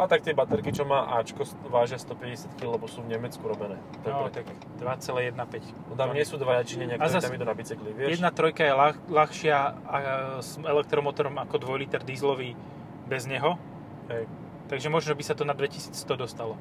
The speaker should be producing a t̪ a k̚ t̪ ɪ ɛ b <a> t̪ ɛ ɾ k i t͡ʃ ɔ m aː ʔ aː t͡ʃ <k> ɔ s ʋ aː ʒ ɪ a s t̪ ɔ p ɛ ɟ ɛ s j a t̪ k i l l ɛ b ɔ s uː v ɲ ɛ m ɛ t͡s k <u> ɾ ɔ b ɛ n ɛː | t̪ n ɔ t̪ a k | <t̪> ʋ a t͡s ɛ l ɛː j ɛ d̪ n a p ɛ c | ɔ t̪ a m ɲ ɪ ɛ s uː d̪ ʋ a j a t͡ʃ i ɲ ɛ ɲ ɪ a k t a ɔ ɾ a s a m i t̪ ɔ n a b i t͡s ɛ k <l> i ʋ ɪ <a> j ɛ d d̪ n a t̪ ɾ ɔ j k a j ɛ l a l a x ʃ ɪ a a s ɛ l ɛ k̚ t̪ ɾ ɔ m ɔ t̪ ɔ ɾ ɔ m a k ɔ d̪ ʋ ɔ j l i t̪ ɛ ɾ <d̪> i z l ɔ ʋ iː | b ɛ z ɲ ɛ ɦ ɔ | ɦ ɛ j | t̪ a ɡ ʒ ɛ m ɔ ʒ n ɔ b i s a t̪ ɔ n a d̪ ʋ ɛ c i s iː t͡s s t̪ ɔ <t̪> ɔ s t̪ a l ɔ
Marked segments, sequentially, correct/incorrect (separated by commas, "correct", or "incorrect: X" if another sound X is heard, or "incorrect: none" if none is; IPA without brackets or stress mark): correct, correct, correct, incorrect: d̪, correct, incorrect: ɛ, correct, incorrect: d̪